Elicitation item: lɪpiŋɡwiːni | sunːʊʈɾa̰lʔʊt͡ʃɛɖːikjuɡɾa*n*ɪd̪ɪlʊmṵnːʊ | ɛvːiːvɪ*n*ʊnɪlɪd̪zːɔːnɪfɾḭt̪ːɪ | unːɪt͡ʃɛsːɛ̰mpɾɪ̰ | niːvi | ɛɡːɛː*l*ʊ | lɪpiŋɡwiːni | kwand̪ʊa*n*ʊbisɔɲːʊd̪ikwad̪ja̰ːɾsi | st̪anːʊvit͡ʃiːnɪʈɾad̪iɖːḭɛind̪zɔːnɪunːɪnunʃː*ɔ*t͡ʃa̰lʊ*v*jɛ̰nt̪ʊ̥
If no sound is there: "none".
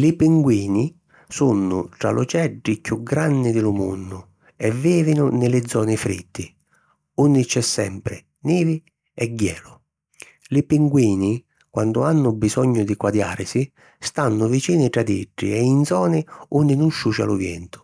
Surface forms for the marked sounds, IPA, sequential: nː, n, l, nː, u, v

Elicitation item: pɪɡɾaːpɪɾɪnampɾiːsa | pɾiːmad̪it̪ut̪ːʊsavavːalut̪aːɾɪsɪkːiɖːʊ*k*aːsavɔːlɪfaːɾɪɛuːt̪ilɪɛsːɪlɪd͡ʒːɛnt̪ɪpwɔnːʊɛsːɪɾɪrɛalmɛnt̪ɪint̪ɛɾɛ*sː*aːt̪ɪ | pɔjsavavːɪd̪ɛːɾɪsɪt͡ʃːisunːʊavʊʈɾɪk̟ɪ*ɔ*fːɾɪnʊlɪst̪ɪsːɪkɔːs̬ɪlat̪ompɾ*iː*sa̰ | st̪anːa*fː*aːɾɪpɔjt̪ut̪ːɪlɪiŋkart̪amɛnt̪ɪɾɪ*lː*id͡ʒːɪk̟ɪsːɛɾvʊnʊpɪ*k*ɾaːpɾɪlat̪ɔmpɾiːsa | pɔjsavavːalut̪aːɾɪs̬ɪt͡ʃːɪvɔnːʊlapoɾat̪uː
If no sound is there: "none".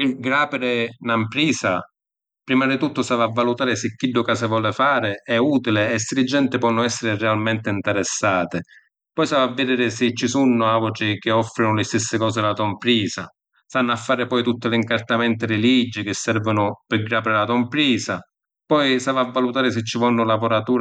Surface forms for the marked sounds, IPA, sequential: k, sː, ɔ, iː, fː, l, ɡ

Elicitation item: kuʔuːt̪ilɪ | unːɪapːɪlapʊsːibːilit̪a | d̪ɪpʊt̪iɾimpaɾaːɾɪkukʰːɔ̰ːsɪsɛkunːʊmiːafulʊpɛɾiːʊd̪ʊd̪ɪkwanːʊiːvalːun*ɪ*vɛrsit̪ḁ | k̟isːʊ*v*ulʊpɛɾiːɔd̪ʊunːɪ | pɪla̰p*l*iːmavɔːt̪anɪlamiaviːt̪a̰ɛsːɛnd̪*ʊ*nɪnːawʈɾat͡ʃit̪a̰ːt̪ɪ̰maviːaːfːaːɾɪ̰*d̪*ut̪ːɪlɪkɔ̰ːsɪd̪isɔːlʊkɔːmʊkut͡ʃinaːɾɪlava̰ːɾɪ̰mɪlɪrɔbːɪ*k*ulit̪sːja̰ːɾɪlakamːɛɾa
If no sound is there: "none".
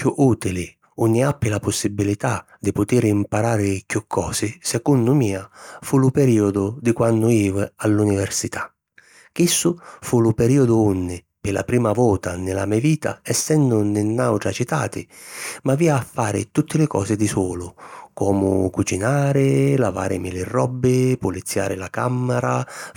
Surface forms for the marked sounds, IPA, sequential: i, f, ɾ, ʊ, t̪, p

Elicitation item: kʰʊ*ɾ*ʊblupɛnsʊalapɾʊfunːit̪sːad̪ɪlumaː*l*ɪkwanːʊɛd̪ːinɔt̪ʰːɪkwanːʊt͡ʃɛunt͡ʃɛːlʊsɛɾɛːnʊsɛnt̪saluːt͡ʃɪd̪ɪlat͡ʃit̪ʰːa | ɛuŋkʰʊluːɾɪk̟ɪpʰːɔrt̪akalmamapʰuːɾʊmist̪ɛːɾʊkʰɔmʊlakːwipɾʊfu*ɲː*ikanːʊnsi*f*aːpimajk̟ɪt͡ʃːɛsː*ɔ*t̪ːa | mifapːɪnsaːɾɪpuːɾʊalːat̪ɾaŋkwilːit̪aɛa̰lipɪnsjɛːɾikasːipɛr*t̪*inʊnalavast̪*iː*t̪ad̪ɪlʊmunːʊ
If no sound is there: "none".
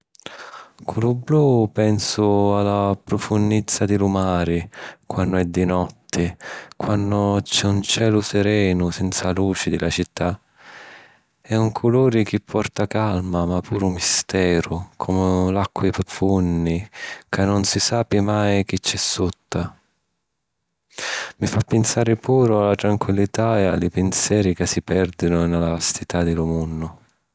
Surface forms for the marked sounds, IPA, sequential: l, ɾ, nː, s, u, d̪, i

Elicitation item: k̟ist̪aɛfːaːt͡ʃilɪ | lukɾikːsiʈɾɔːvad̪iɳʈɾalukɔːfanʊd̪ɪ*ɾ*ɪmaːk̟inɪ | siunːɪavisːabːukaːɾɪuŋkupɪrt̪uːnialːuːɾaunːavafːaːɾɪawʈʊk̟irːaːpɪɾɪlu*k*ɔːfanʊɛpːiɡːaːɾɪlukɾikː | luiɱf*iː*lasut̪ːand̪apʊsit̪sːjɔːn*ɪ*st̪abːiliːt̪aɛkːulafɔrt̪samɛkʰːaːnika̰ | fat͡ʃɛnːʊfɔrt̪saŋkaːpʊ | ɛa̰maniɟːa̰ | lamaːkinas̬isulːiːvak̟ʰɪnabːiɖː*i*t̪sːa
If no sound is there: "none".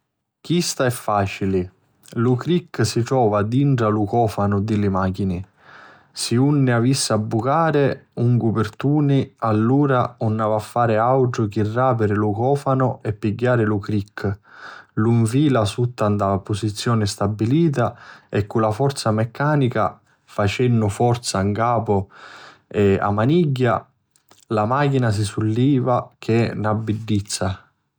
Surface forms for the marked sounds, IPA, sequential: l, k, iː, ɪ, i

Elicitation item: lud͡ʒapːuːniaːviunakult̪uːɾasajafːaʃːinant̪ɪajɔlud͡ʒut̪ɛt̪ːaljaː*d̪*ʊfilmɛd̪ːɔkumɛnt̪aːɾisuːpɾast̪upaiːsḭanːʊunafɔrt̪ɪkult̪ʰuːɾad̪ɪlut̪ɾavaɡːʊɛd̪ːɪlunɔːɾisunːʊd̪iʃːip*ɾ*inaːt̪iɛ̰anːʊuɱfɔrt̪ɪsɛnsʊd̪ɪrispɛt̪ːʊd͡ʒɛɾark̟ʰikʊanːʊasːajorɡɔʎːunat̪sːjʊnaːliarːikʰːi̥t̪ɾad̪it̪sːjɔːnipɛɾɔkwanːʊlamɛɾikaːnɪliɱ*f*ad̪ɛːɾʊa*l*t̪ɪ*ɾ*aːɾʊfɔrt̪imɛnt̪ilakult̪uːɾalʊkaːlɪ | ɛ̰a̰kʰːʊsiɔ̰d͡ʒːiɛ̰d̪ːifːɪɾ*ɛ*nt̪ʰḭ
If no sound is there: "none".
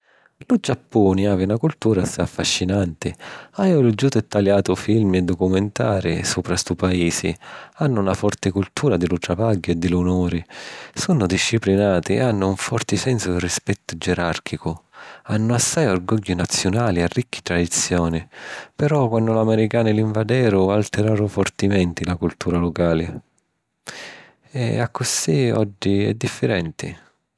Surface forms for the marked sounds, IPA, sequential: t̪, l, v, l, ɾ, ɛ

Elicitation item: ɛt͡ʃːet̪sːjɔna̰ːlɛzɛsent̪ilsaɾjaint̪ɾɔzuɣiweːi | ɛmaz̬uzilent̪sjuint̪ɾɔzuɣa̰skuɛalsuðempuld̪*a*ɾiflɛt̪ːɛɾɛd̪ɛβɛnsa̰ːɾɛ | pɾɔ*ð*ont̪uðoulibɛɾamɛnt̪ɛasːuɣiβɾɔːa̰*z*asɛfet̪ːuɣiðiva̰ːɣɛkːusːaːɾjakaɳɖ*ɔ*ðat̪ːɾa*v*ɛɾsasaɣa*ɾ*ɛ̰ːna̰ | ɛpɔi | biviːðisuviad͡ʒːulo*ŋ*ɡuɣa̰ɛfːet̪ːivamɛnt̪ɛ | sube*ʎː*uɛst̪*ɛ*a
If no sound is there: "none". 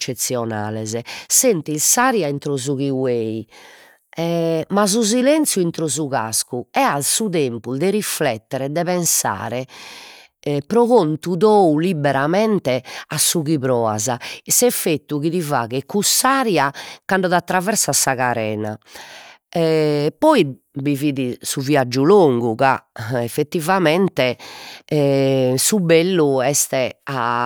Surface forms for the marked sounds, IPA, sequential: ɛ, ɣ, z, ɔ, v, ɾ, ŋ, lː, ɛ

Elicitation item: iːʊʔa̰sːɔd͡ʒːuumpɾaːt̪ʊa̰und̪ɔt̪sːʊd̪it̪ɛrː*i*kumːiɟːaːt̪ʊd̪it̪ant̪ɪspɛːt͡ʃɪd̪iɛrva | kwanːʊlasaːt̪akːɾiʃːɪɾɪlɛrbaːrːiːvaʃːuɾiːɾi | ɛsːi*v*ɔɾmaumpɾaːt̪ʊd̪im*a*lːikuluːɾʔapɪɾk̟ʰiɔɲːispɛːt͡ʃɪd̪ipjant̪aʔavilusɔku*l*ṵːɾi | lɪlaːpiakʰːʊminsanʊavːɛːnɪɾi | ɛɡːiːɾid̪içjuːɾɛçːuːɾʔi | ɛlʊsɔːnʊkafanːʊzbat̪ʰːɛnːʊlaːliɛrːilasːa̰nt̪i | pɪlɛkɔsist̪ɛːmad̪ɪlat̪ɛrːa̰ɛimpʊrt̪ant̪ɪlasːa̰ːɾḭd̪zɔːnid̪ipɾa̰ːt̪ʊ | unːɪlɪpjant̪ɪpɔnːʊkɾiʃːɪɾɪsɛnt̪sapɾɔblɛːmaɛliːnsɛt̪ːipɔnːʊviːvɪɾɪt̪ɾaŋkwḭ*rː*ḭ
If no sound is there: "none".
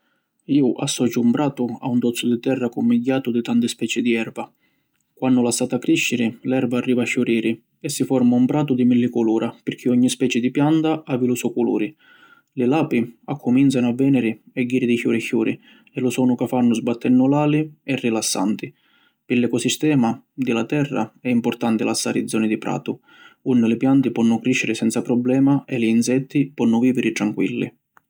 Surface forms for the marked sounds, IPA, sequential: a, f, i, l, lː

